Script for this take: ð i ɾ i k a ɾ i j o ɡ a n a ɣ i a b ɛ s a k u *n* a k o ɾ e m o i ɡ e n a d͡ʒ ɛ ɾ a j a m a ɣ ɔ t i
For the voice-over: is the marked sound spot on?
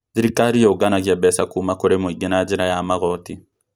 no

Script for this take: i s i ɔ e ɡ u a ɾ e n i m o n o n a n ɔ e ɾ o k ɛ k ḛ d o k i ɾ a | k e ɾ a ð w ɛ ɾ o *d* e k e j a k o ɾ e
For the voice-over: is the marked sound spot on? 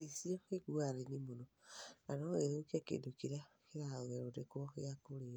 yes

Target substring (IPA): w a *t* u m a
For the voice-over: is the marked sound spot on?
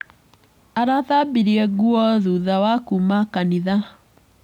no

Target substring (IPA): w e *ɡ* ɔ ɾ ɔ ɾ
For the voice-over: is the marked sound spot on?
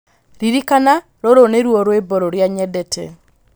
no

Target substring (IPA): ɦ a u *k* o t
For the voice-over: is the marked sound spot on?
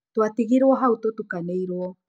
no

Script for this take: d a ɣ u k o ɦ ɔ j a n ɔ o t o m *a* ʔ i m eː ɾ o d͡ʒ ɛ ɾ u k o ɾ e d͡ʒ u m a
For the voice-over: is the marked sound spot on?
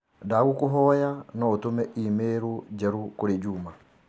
no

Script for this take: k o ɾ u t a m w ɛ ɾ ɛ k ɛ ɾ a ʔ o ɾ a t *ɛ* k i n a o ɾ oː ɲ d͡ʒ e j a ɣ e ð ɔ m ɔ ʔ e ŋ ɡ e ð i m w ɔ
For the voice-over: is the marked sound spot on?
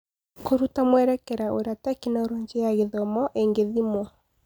no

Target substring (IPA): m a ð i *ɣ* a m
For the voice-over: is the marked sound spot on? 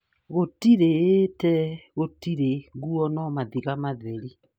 yes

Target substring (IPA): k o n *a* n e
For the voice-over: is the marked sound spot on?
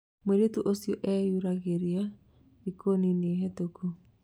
no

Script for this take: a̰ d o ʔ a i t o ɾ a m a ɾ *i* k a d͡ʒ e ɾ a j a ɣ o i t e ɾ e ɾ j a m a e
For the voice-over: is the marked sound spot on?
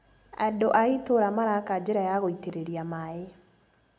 no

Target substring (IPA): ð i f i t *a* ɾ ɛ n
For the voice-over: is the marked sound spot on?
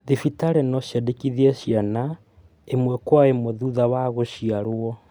yes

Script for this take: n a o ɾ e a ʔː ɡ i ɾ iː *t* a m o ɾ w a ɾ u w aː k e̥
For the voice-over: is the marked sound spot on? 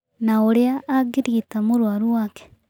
yes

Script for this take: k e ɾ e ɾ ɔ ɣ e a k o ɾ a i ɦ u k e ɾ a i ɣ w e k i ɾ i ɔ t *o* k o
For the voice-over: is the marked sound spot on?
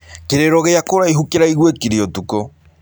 no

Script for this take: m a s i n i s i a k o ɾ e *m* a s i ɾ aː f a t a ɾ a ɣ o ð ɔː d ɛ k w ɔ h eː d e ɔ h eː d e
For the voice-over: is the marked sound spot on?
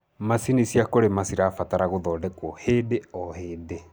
yes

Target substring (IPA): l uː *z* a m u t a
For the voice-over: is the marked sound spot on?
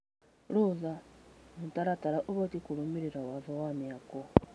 yes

